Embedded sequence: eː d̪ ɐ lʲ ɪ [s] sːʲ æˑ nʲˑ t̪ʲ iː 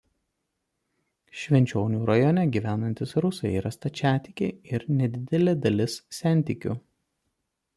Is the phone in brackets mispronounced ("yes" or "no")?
no